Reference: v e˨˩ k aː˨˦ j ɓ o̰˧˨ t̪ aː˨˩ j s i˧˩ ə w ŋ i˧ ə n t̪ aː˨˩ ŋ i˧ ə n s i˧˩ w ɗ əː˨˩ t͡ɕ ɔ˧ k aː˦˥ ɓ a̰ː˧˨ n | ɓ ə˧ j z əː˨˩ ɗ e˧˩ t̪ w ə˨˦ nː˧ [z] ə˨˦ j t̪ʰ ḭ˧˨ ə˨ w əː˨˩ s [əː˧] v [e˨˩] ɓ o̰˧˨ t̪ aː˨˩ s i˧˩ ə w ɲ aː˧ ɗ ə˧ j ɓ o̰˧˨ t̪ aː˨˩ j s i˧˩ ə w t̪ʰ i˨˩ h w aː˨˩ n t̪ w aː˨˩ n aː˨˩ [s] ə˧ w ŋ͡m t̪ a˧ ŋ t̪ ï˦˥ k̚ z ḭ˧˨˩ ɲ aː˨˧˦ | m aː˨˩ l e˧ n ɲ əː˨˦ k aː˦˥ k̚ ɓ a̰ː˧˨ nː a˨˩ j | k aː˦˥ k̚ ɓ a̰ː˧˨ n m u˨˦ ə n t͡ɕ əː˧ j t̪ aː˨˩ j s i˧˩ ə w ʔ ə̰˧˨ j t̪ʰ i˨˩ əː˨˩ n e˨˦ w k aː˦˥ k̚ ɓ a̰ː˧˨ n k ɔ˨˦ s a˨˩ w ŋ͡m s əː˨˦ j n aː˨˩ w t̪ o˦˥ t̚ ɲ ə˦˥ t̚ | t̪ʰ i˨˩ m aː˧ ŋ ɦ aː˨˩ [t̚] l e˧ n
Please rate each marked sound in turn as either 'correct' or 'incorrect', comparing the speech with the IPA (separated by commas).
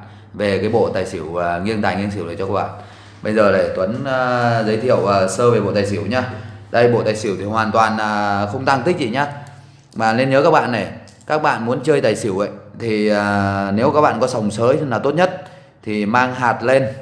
correct, correct, correct, incorrect, correct